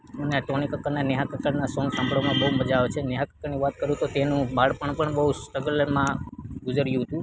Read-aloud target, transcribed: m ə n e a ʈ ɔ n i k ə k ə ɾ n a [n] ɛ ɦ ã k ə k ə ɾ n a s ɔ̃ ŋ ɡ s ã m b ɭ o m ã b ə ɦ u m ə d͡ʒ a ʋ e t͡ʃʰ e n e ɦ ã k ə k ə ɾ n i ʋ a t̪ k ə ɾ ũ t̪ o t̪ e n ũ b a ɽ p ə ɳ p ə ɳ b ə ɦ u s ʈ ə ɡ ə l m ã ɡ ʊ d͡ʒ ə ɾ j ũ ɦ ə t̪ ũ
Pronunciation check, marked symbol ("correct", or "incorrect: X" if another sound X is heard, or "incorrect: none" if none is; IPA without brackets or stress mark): correct